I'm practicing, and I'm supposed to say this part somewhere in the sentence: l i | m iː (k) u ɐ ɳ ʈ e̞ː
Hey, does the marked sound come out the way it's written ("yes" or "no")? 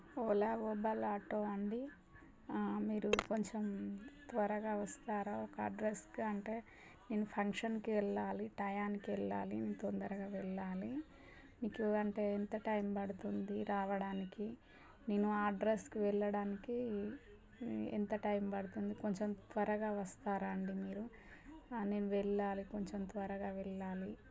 yes